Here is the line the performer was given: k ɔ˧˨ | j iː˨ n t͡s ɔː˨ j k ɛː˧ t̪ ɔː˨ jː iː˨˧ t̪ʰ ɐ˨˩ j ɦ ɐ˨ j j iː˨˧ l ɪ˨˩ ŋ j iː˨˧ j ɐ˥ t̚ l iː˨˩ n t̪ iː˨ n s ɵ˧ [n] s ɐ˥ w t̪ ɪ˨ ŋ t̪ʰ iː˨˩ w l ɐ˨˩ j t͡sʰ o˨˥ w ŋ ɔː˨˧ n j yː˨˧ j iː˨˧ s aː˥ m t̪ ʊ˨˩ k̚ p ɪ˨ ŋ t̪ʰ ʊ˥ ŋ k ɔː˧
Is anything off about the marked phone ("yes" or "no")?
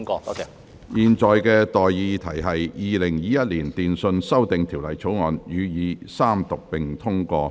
no